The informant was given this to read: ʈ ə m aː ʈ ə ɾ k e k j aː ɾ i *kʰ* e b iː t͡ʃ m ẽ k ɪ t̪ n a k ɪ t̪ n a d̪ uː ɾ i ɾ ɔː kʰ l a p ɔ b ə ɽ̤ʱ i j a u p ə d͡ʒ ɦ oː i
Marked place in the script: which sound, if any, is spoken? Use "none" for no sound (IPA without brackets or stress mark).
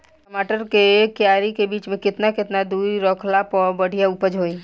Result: k